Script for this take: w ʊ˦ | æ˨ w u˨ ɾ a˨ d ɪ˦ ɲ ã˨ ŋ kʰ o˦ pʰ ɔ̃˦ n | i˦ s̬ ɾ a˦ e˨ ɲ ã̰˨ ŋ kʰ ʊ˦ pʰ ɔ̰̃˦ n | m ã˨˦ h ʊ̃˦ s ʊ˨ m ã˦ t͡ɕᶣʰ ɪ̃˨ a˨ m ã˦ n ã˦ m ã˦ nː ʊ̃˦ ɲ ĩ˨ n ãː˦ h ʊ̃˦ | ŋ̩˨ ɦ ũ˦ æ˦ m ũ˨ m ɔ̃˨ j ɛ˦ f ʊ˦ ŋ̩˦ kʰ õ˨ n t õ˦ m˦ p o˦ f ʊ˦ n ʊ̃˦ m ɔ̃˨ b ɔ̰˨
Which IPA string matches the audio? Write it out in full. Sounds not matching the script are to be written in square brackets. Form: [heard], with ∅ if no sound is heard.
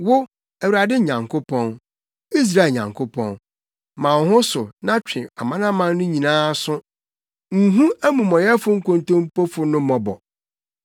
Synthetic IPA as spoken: w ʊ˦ | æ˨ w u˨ ɾ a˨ d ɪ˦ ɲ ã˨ ŋ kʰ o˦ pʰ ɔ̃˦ n | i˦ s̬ ɾ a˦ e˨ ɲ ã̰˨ ŋ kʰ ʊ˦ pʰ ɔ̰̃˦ n | m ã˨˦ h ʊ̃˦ s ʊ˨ [n] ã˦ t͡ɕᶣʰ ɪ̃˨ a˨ m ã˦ n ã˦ m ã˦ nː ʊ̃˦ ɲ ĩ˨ n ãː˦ [s] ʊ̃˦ | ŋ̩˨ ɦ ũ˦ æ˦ m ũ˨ m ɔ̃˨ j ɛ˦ f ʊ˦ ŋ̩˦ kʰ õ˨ n t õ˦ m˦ p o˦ f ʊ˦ n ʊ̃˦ m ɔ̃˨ b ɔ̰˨

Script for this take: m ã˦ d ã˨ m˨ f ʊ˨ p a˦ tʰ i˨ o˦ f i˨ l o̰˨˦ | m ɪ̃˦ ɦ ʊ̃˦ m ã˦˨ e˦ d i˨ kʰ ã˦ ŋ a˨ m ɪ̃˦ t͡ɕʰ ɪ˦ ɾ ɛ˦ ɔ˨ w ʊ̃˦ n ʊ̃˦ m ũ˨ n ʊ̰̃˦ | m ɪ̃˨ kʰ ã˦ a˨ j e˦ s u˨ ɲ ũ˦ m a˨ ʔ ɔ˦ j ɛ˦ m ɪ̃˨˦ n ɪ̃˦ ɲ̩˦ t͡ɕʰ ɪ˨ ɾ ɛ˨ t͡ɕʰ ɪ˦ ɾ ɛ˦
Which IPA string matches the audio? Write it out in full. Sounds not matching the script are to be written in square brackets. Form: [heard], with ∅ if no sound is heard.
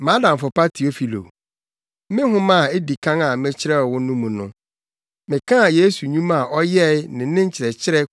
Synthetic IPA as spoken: m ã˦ d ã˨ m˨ f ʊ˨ p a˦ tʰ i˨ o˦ f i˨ l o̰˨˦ | m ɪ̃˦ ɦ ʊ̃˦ m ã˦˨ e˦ d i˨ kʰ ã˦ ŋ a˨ m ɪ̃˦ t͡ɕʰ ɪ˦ ɾ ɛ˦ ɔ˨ w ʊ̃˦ n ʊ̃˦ m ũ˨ n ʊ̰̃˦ | m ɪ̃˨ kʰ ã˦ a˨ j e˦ s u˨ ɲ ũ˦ m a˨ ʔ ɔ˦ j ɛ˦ [n] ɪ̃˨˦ n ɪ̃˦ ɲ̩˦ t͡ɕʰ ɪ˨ ɾ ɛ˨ t͡ɕʰ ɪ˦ ɾ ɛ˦

